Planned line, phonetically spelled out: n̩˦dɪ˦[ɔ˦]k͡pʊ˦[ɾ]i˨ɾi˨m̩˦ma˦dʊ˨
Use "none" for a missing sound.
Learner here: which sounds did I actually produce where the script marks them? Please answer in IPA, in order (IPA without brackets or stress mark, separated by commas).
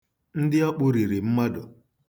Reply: ɔ˦, ɾ